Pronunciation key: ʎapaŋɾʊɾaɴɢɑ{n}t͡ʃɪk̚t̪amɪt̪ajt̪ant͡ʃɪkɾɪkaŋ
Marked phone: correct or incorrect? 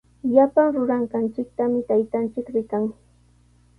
correct